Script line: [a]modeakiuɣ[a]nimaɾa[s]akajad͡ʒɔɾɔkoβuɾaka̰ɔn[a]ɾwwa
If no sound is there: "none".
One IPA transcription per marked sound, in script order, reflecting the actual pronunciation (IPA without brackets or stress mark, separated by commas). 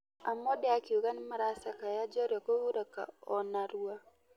a, a, s, a